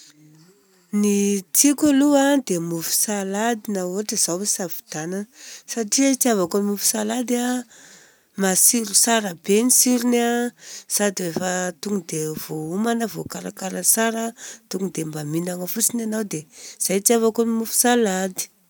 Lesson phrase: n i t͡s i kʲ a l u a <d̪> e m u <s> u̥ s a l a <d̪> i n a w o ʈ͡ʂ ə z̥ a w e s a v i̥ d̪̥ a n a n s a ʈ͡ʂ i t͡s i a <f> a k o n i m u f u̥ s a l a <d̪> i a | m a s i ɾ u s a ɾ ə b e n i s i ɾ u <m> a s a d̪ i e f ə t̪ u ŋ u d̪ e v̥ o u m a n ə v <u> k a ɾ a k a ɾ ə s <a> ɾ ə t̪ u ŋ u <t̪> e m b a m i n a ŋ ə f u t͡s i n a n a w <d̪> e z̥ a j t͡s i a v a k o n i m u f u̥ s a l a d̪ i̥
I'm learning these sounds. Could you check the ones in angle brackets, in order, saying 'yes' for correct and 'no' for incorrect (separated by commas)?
yes, no, yes, no, yes, no, no, yes, no, yes